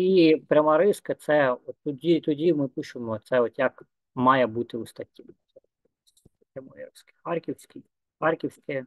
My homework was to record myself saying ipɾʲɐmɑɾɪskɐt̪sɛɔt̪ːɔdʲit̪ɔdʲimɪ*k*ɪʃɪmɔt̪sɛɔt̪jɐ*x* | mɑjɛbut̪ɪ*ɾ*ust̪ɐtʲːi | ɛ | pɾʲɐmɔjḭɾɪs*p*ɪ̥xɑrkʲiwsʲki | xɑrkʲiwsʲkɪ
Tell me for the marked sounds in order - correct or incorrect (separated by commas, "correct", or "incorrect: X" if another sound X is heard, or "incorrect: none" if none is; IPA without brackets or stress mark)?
incorrect: p, incorrect: k, incorrect: none, incorrect: k